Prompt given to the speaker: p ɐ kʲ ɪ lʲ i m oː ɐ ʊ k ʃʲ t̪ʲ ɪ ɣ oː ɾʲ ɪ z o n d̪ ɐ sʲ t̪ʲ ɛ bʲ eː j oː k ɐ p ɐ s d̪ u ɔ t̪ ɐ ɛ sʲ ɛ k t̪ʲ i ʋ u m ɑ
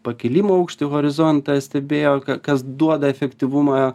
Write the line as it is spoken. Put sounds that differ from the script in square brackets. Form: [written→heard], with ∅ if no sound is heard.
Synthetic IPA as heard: p ɐ kʲ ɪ lʲ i m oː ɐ ʊ k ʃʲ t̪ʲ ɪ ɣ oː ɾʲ ɪ z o n [d̪→t̪] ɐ sʲ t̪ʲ ɛ bʲ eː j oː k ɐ [p→k] ɐ s d̪ u ɔ [t̪→d̪] ɐ ɛ [sʲ→fʲ] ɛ k t̪ʲ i ʋ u m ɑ